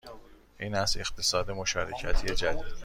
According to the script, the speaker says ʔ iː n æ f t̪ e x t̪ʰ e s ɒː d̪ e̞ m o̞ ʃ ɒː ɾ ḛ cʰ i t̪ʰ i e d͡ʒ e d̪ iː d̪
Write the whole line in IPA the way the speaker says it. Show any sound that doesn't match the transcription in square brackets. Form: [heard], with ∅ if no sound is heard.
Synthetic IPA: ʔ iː n æ [s] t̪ e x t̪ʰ e s ɒː d̪ e̞ m o̞ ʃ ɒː ɾ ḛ cʰ [æ] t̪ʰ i e d͡ʒ [æ] d̪ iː d̪